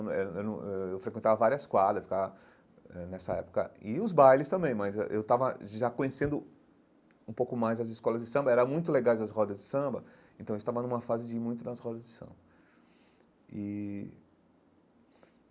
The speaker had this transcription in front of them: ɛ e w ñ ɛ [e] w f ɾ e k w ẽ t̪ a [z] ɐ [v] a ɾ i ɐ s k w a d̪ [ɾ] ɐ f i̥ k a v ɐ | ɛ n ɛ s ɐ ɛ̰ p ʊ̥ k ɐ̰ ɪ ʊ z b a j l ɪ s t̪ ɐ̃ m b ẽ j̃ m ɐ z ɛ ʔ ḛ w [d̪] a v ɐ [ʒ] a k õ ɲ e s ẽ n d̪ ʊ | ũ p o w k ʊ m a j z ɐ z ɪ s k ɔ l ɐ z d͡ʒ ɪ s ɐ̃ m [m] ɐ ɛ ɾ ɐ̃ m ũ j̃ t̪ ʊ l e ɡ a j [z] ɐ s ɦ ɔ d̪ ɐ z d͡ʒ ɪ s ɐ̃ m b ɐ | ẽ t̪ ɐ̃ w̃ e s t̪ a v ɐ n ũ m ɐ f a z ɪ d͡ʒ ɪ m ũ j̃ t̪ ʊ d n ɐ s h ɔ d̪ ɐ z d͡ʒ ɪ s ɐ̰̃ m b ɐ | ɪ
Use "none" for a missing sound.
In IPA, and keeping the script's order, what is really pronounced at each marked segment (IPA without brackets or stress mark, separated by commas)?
e, v, v, ɾ, t̪, ʒ, b, z